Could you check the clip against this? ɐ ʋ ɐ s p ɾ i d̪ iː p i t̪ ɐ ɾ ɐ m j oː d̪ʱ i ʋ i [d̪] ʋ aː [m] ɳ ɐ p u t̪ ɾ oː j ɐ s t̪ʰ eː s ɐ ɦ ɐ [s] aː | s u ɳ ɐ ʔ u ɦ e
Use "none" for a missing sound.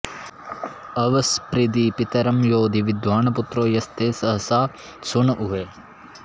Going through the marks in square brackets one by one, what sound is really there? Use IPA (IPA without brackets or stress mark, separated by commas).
d̪, none, s